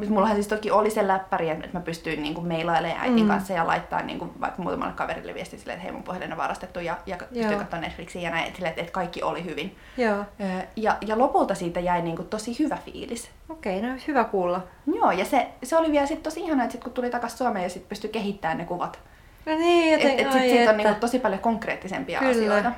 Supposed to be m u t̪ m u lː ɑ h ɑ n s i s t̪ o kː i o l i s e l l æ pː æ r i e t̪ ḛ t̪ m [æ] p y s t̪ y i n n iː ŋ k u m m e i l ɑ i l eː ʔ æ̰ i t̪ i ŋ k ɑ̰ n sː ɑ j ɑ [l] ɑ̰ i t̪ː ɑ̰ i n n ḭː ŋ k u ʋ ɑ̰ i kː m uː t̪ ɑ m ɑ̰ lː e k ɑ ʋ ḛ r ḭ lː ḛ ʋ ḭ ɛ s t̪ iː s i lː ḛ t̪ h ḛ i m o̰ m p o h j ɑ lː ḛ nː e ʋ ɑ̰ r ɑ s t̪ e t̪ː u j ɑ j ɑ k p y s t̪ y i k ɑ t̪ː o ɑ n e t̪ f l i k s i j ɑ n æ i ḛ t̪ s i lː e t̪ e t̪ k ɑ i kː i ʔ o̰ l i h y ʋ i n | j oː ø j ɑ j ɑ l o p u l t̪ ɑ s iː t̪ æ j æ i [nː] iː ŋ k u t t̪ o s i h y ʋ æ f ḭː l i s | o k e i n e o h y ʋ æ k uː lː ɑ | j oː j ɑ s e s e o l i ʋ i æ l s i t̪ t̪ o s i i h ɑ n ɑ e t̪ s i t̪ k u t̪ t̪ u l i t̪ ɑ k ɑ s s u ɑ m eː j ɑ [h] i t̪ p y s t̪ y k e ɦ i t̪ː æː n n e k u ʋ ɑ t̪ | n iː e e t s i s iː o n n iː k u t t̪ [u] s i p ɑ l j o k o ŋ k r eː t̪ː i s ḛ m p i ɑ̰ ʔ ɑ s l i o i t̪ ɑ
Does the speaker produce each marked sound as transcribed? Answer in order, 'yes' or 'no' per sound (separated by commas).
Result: yes, yes, no, no, no